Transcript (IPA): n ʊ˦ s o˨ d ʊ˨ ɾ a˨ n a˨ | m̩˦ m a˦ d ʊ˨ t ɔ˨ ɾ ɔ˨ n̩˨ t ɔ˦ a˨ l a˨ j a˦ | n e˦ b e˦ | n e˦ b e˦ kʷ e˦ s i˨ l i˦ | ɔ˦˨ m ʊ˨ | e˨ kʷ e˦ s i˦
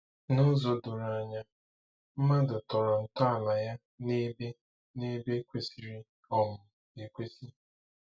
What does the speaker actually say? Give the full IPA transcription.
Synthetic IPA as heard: n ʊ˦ z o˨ d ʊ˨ ɾ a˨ ɲ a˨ | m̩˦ m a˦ d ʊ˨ t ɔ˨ ɾ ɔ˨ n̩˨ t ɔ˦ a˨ l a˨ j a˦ | n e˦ b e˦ | n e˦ b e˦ kʷ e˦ s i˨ ɾ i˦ | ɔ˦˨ m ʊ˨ | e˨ kʷ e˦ s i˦

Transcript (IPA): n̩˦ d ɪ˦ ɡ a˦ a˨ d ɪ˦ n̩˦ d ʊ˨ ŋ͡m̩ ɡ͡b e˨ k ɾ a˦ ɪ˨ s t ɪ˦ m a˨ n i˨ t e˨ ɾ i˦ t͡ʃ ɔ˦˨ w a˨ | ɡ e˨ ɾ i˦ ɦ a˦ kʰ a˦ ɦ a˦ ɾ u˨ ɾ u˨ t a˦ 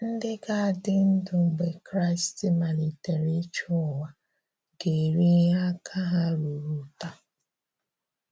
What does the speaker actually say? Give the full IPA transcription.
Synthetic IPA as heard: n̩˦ d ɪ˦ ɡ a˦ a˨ d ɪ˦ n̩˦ d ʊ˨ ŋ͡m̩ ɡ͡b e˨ k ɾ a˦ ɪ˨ s t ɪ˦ m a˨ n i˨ t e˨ ɾ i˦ t͡ʃ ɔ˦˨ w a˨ | ɡ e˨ ɾ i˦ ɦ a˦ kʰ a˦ ɦ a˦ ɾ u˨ ɾ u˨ t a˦

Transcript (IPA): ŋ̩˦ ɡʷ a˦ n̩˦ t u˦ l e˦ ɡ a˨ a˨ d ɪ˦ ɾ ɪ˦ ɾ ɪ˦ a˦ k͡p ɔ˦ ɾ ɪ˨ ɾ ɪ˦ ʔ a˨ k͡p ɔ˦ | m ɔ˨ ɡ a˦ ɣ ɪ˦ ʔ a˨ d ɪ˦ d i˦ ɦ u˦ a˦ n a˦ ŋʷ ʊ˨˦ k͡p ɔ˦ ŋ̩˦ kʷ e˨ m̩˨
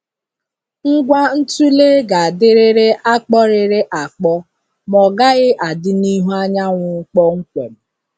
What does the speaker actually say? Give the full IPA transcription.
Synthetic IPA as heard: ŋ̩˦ ɡʷ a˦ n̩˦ t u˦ l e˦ ɡ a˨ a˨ d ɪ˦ ɾ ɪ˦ ɾ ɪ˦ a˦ k͡p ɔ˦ ɾ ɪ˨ ɾ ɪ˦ ʔ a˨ k͡p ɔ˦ | m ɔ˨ ɡ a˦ ɣ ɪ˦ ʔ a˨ d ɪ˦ n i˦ ɦ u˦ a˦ ɲ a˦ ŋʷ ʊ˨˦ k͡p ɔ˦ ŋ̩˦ kʷ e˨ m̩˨

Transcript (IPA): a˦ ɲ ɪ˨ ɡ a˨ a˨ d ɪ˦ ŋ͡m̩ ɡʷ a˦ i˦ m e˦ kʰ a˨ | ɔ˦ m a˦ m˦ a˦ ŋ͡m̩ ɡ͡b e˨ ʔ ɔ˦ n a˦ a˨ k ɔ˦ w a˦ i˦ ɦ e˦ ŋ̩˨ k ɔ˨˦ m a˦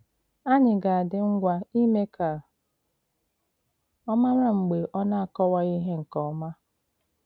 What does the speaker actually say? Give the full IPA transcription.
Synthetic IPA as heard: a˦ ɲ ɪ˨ ɡ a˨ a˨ d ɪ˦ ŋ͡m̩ ɡʷ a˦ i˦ m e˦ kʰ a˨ | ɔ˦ m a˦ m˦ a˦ ŋ͡m̩ ɡ͡b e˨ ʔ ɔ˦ n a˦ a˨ k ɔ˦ w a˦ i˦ ɦ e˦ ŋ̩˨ k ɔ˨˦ m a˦

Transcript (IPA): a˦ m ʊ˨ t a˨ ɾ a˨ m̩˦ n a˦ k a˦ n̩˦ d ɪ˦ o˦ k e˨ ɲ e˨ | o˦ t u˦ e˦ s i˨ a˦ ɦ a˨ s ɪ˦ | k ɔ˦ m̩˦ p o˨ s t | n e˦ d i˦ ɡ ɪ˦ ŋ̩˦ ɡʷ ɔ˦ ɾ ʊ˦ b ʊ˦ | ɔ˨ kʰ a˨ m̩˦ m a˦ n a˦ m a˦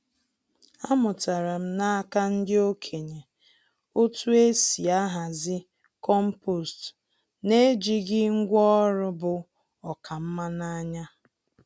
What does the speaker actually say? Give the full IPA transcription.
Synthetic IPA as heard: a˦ m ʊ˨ t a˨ ɾ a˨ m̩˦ n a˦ k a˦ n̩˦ d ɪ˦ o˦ kʰ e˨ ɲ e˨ | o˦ t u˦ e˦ s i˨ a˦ ɦ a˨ z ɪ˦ | k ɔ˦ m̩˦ p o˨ s t | n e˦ d͡ʒ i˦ ɡ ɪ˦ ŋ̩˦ ɡʷ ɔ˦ ɾ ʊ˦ b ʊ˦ | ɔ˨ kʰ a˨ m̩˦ m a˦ n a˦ ɲ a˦

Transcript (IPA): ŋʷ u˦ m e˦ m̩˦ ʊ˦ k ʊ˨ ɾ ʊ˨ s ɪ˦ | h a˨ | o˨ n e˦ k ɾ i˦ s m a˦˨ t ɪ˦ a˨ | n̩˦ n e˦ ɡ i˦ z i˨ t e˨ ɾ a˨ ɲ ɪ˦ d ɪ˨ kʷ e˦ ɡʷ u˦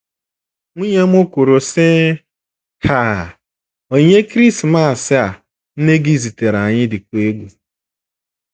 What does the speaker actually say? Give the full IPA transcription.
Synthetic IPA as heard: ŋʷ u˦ ɲ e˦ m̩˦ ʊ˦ k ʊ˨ ɾ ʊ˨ s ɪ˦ | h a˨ | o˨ ɲ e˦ k ɾ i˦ s m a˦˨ s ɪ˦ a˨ | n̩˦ n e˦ ɡ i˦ z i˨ t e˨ ɾ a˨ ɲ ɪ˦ d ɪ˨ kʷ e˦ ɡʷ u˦

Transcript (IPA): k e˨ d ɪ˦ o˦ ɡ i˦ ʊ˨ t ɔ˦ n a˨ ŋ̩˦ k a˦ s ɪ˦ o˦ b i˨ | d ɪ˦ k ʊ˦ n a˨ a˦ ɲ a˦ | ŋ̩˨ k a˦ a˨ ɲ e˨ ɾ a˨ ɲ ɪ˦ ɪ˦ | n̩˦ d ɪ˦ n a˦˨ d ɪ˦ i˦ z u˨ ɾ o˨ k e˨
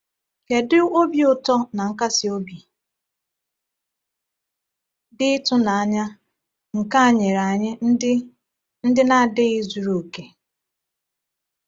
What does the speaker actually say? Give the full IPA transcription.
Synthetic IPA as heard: k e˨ d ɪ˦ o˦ b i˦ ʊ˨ t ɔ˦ n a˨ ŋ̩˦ k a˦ s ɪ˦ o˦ b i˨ | d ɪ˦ t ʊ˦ n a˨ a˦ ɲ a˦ | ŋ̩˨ k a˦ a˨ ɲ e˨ ɾ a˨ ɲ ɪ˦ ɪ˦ | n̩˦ d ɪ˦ n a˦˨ d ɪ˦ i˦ z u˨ ɾ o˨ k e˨

